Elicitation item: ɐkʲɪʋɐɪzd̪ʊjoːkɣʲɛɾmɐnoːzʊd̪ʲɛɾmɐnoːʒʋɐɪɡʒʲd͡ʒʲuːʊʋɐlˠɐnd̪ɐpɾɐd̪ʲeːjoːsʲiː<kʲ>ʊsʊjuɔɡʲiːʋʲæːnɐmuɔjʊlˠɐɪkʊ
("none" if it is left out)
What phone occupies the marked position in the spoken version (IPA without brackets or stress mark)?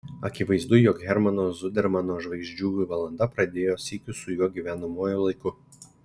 kʲ